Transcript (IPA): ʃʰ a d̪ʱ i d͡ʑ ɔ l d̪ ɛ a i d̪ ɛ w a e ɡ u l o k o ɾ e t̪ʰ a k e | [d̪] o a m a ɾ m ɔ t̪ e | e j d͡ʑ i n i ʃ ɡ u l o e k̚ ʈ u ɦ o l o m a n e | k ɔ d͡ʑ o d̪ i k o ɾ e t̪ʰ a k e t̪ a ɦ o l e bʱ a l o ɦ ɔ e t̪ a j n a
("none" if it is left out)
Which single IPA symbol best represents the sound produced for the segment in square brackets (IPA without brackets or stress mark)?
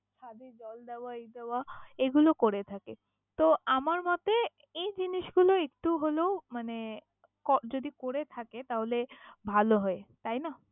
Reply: t̪